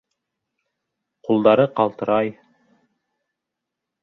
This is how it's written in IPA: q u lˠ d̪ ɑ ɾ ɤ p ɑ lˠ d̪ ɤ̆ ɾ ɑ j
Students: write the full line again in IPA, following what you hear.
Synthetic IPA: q u lˠ d̪ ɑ ɾ ɤ q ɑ lˠ t̪ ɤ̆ ɾ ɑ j